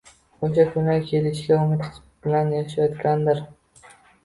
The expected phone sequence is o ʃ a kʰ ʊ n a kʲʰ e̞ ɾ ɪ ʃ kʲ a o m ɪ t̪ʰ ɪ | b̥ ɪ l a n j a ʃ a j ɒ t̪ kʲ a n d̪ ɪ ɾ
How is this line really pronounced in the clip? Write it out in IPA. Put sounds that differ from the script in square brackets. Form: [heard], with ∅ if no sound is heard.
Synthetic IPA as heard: o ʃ a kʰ ʊ n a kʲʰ e̞ [l] ɪ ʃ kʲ a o m ɪ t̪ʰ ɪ | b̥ ɪ l a n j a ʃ a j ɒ t̪ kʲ a n d̪ ɪ ɾ